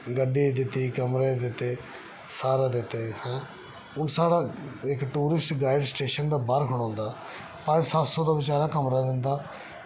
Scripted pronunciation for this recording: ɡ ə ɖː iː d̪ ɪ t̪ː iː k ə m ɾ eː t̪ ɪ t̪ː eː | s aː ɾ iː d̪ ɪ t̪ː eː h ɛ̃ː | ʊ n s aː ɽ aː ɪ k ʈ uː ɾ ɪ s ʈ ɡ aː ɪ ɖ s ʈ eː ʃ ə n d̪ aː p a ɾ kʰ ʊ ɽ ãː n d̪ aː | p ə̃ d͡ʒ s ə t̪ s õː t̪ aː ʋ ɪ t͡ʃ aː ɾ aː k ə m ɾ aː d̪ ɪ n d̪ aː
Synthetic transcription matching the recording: ɡ ə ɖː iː d̪ ɪ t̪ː iː k ə m ɾ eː d̪ ɪ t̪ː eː | s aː ɾ aː d̪ ɪ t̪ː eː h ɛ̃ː | ʊ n s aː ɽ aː ɪ k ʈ uː ɾ ɪ s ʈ ɡ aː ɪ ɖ s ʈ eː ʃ ə n d̪ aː b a ɾ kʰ ʊ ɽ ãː n d̪ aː | p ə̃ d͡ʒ s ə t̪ s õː d̪ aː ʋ ɪ t͡ʃ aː ɾ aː k ə m ɾ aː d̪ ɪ n d̪ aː